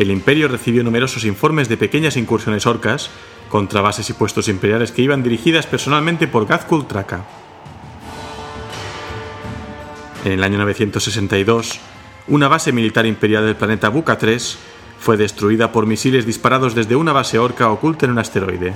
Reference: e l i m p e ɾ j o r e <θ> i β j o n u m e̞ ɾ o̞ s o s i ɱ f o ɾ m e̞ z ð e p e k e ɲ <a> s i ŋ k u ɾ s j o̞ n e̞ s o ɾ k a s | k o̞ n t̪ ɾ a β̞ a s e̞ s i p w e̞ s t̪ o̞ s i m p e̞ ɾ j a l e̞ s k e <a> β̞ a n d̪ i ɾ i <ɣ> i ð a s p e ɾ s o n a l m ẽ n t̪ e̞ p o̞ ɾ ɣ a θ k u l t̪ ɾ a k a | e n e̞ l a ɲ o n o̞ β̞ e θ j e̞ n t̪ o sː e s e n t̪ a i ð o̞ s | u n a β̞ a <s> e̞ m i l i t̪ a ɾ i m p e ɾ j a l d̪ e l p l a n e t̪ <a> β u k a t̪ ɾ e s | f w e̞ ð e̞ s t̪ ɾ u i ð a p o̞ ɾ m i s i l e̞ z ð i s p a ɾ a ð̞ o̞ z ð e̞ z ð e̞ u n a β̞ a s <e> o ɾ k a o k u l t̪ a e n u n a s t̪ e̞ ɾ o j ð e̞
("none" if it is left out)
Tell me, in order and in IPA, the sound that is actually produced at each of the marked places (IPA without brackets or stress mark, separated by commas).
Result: θ, a, i, x, s, a, e